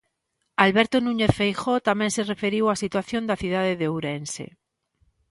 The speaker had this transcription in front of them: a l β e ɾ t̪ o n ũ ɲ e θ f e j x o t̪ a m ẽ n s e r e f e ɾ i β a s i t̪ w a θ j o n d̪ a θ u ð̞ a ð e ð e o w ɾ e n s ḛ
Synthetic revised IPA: a l β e ɾ t̪ o n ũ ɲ e θ f e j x o t̪ a m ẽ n s e r e f e ɾ i w a s i t̪ w a θ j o n d̪ a θ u ð̞ a ð e ð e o w ɾ e n s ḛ

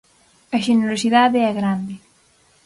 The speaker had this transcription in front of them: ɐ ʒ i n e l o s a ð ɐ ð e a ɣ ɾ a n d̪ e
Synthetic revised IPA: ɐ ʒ e n e ɾ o s i ð a ð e ɛ ɣ ɾ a n d̪ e

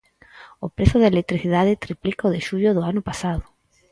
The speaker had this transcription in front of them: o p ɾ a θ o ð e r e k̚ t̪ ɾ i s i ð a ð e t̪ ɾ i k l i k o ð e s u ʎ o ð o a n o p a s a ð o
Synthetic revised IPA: o p ɾ e θ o ð e l e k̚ t̪ ɾ i θ i ð a ð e t̪ ɾ i p l i k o ð e ʃ u ʎ o ð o a n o p a s a ð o

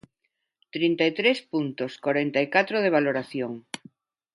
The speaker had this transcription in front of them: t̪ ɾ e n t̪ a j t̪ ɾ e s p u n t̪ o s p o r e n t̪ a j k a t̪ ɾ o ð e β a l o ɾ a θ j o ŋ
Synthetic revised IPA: t̪ ɾ i n t̪ a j t̪ ɾ e s p u n t̪ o s k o ɾ e n t̪ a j k a t̪ ɾ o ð e β a l o ɾ a θ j o ŋ

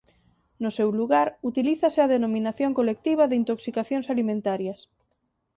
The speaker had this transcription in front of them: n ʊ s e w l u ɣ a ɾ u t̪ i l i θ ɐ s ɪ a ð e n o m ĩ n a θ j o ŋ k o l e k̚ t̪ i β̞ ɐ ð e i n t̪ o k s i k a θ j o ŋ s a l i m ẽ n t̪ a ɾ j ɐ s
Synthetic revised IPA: n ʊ s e w l u ɣ a ɾ u t̪ i l i θ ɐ s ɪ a ð e n o m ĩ n a θ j o ŋ k o l e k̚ t̪ i β̞ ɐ ð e i n t̪ o k s i k a θ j o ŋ s a l i m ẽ n t̪ a ɾ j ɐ s

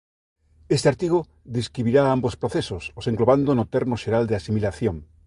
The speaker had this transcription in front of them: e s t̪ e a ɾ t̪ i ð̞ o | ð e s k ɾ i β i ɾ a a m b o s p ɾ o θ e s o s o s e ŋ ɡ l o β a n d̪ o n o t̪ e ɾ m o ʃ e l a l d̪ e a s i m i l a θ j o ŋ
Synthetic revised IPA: e s t̪ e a ɾ t̪ i ɣ̞ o | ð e s k ɾ i β i ɾ a a m b o s p ɾ o θ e s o s o s e ŋ ɡ l o β a n d̪ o n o t̪ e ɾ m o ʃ e ɾ a l d̪ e a s i m i l a θ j o ŋ

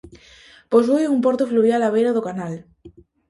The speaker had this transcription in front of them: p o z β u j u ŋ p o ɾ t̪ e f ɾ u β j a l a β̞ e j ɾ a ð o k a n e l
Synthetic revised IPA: p o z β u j u m p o ɾ t̪ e f l u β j a l a β̞ e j ɾ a ð o k a n a l

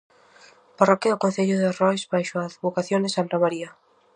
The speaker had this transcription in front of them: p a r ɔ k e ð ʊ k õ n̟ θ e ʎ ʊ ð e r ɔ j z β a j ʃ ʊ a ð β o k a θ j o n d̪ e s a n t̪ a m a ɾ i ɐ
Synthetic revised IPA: p a r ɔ k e ð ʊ k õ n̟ θ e ʎ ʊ ð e r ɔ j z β a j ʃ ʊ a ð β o k a θ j o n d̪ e s a n t̪ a m a ɾ i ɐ

